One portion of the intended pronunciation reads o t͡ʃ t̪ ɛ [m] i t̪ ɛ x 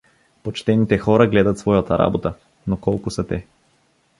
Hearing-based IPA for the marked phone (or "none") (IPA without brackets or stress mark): n